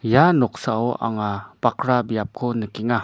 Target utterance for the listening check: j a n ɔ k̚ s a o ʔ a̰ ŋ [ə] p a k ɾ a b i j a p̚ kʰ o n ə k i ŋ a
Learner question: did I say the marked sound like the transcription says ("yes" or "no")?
no